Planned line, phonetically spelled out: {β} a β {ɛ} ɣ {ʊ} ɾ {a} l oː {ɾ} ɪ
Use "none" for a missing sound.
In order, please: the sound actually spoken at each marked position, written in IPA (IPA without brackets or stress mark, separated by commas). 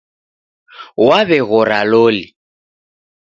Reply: w, ɛ, ʊ, a, l